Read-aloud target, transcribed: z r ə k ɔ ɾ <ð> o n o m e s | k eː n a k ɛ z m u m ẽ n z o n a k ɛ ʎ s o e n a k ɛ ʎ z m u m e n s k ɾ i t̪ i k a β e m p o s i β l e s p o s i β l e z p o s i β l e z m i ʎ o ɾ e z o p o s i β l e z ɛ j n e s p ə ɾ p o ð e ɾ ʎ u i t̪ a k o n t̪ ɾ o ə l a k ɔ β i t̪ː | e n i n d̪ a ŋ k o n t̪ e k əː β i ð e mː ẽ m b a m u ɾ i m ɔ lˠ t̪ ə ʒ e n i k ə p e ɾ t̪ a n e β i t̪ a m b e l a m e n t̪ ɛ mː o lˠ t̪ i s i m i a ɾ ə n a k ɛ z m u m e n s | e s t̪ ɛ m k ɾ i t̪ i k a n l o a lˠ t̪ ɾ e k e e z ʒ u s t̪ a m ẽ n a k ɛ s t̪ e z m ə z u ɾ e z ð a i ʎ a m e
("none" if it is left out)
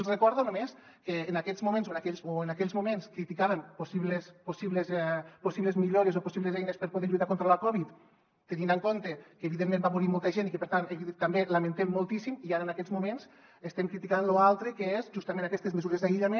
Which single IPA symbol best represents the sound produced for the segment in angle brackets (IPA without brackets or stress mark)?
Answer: ð